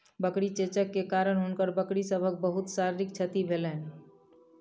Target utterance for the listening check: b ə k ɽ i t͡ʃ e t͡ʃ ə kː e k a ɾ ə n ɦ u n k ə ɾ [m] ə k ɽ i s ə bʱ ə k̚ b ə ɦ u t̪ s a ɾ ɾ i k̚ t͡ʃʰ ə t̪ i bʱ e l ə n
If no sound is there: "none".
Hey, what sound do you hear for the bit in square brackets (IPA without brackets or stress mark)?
b